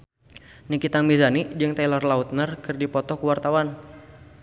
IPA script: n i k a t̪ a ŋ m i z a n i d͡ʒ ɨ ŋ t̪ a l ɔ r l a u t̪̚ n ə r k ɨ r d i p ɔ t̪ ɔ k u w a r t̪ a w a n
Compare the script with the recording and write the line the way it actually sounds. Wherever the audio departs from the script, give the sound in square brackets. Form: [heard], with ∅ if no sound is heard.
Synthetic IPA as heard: n i k [i] t̪ a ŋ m i z a n i d͡ʒ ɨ ŋ t̪ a l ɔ r l a u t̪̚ n ə r k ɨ r d i p ɔ t̪ ɔ k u w a r t̪ a w a n